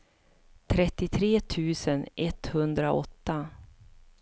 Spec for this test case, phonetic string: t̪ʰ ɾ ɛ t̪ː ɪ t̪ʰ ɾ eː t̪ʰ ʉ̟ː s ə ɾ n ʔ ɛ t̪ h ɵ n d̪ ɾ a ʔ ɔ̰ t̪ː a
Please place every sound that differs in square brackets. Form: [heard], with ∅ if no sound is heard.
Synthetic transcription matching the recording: t̪ʰ ɾ ɛ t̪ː ɪ t̪ʰ ɾ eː t̪ʰ ʉ̟ː s ə [∅] n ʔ ɛ t̪ h ɵ n d̪ ɾ a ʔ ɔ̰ t̪ː a